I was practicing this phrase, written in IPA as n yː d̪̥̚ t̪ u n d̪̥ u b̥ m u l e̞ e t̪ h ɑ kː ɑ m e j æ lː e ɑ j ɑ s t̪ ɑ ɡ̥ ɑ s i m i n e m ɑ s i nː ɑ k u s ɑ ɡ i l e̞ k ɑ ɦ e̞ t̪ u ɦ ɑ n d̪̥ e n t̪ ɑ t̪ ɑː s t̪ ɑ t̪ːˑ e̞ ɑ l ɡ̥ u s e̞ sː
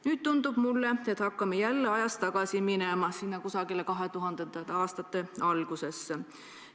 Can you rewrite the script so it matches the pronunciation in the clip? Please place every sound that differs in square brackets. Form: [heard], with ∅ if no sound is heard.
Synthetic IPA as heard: n yː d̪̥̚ t̪ u n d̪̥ u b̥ m u [lː] e̞ e t̪ h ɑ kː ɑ m e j æ lː e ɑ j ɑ s t̪ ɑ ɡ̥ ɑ s i m i n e m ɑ s i nː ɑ k u s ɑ ɡ i l e̞ k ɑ ɦ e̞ t̪ u ɦ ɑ n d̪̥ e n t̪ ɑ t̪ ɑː s t̪ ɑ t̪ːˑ e̞ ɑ l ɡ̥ u s e̞ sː